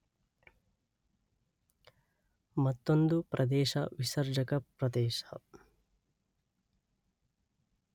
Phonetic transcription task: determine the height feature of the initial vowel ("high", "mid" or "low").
low